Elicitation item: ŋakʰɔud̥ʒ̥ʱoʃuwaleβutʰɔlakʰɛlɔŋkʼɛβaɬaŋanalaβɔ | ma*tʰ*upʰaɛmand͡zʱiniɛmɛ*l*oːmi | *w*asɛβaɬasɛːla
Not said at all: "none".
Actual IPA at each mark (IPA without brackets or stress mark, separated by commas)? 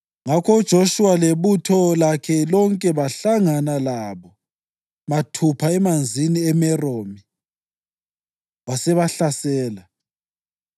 tʰ, r, w